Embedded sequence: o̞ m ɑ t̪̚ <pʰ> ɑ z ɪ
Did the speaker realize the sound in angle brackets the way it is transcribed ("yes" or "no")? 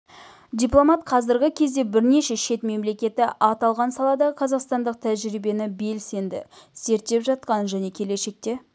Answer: no